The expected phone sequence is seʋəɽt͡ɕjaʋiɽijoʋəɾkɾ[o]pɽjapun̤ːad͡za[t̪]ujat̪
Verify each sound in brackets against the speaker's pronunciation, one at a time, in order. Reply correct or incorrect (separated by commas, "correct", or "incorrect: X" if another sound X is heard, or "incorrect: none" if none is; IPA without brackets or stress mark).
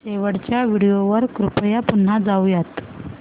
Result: incorrect: u, incorrect: none